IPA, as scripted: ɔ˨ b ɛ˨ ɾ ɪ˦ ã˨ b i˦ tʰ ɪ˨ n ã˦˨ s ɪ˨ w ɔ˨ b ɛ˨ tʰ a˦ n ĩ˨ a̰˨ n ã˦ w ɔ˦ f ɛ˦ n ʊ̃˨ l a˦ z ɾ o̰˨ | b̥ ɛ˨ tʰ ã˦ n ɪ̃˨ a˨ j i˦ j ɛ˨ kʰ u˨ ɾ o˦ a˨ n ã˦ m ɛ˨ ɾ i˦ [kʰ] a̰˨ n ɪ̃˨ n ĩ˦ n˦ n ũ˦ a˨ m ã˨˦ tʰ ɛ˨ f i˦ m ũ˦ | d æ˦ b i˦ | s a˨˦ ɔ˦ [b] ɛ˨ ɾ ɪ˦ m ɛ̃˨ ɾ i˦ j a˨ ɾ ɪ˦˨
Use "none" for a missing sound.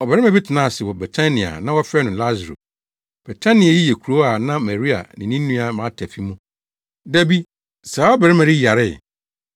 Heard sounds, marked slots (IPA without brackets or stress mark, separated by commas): none, b